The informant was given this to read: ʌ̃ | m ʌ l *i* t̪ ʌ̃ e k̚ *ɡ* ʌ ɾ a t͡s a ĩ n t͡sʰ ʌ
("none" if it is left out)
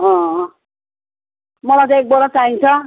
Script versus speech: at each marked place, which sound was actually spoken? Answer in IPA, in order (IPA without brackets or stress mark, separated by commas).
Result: a, b